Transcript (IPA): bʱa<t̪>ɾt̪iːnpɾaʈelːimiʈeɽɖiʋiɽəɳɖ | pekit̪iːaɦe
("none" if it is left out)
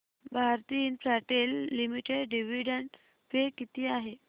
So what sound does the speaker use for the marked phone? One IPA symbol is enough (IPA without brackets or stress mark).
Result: none